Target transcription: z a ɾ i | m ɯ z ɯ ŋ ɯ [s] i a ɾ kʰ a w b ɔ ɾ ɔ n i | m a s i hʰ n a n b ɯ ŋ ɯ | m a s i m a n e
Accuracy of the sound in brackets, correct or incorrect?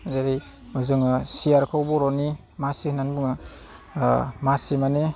correct